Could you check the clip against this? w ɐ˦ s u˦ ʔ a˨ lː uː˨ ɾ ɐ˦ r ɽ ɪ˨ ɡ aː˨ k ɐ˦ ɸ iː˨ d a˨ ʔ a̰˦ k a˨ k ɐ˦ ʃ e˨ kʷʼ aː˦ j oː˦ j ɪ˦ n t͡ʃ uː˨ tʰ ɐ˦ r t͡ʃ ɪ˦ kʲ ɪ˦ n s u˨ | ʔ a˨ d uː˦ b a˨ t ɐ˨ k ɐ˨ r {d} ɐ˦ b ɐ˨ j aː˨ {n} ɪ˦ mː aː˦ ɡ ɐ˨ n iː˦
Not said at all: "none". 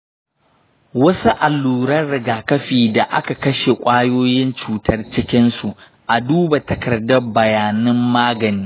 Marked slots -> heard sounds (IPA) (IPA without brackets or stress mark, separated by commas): d, n